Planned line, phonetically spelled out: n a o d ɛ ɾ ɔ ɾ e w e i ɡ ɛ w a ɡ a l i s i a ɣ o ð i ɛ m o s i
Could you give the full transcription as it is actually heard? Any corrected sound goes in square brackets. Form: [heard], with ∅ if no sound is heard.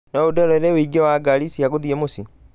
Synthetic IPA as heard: n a o d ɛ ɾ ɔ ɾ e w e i ɡ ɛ w a ɡ a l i s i a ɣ o ð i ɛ m o s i